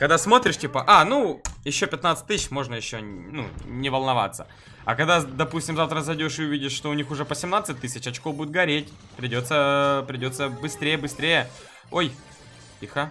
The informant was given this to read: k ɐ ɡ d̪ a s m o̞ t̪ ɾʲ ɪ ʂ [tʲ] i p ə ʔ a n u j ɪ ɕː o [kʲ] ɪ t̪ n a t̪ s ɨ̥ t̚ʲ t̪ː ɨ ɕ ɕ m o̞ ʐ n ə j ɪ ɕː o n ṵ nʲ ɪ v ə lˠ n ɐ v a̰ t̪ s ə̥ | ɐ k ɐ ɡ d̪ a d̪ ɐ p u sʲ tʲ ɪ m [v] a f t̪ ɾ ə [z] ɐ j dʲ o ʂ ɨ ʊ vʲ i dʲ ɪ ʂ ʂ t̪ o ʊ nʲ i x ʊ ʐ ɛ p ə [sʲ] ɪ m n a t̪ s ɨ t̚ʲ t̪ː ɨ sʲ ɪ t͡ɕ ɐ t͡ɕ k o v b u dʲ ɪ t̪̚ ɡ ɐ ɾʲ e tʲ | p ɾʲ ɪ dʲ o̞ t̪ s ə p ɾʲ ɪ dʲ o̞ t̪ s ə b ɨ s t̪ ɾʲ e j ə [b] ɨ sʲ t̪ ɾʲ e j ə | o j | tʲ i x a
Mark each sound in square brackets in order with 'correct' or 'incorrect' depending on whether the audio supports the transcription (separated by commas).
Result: correct, incorrect, incorrect, correct, correct, correct